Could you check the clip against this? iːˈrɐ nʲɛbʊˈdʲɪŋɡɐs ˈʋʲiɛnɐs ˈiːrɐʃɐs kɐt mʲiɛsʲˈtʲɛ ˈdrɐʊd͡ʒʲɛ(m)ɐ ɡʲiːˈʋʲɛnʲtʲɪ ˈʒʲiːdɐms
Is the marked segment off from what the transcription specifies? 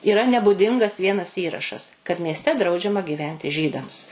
no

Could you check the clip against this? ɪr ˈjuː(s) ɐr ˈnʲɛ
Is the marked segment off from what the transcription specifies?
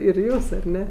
no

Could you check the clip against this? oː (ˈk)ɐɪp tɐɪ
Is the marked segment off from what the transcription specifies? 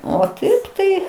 yes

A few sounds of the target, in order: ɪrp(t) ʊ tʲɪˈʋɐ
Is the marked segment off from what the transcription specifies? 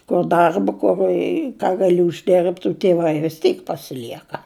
no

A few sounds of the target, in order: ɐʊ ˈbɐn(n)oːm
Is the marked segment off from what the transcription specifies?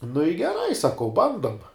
yes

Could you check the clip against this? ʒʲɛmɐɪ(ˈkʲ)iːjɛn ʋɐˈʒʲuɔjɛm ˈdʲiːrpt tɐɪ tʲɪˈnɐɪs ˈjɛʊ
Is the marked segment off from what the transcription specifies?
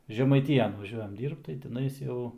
yes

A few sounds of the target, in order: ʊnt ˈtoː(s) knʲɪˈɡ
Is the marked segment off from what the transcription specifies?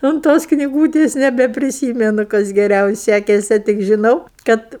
no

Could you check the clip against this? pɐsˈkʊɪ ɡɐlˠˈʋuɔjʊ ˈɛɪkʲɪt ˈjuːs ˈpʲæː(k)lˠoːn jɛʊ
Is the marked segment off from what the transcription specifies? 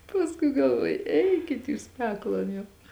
no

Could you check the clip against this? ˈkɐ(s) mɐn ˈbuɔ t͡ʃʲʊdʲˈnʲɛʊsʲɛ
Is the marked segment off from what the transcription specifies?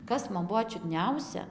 no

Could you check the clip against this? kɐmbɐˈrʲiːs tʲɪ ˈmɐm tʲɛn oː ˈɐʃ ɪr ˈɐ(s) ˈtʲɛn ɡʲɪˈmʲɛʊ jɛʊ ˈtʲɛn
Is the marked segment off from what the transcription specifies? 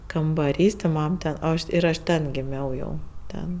yes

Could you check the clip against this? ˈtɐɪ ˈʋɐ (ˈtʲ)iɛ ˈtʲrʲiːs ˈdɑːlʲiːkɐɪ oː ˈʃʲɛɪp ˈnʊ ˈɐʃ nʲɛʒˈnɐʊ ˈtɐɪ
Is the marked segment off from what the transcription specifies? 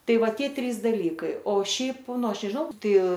no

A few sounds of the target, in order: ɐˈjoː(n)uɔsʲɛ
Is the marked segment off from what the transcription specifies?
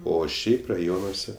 no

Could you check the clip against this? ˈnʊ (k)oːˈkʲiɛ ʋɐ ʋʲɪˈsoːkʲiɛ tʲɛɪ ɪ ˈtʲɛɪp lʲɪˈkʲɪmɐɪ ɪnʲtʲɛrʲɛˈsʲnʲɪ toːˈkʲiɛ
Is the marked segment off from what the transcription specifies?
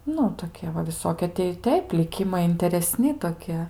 yes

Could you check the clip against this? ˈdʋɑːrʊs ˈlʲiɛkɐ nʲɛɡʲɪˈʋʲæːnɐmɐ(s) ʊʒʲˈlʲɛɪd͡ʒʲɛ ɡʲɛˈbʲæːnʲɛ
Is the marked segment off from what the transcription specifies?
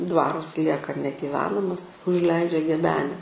no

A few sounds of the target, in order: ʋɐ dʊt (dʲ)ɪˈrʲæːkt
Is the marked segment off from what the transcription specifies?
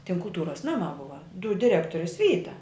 no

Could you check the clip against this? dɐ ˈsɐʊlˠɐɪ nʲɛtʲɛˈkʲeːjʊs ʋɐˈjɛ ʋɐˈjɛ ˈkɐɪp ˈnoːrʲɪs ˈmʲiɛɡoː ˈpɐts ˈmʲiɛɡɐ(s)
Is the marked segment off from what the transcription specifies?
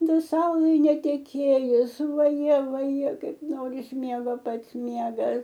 no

